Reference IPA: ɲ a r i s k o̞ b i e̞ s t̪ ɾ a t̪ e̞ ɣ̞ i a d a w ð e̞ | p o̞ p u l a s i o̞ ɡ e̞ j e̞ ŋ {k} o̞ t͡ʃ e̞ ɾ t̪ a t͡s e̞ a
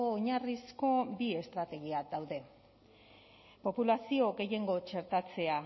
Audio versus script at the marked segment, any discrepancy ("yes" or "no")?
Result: yes